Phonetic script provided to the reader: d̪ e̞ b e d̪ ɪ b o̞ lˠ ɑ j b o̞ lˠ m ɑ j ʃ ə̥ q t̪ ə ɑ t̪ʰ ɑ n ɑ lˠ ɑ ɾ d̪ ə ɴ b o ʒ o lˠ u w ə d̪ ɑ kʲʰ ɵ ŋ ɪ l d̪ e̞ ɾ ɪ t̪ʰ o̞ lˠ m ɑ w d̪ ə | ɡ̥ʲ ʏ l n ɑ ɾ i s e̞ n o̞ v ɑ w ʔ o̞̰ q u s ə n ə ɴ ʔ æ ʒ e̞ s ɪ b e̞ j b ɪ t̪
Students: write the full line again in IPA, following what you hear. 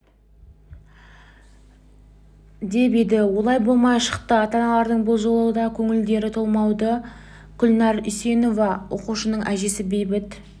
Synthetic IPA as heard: d̪ e̞ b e d̪ ɪ w o̞ lˠ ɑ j b o̞ lˠ m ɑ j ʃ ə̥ q t̪ ə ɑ t̪ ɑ n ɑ lˠ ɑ ɾ d̪ ə ɴ b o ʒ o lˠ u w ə d̪ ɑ kʲʰ ɵ ŋ ɪ l d̪ e̞ ɾ ɪ t̪ʰ o̞ lˠ m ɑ w d̪ ə | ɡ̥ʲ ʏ l n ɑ ɾ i s e̞ n o̞ v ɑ w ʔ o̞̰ q u ʃ ə n ə ɴ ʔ æ ʒ e̞ s ɪ b e̞ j b ɪ t̪